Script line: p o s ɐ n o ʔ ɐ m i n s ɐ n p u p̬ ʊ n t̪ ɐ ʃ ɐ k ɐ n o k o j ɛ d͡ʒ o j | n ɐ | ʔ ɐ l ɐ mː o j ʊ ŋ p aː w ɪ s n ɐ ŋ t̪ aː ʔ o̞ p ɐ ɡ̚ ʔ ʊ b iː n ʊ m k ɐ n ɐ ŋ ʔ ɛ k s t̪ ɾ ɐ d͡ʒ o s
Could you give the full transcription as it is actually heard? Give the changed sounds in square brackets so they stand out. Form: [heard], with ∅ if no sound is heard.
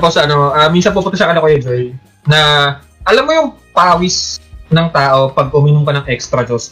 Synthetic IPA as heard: p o s ɐ n o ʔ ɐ m i n s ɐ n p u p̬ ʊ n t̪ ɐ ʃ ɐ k ɐ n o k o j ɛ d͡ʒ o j | n ɐ | ʔ ɐ l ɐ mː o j ʊ ŋ p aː w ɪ s n ɐ ŋ t̪ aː ʔ o̞ p ɐ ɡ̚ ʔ ʊ [m] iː n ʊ m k ɐ n ɐ ŋ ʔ ɛ k s t̪ ɾ ɐ d͡ʒ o s